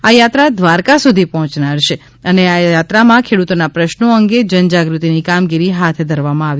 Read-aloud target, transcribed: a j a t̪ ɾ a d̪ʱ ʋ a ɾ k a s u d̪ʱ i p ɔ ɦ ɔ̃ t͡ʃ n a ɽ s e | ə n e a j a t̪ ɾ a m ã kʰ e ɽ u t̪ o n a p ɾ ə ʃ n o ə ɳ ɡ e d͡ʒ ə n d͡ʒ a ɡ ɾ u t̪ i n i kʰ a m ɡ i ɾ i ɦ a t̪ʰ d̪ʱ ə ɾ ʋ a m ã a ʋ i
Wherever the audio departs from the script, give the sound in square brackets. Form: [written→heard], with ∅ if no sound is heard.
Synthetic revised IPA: a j a t̪ ɾ a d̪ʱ ʋ a ɾ k a s u d̪ʱ i p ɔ ɦ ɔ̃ t͡ʃ n a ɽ [s→ʃ] e | ə n e a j a t̪ ɾ a m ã kʰ e ɽ u t̪ o n a p ɾ ə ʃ n o ə [ɳ→ŋ] ɡ e d͡ʒ ə n d͡ʒ a ɡ ɾ u t̪ i n i [kʰ→k] a m ɡ i ɾ i ɦ a t̪ʰ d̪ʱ ə ɾ ʋ a m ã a ʋ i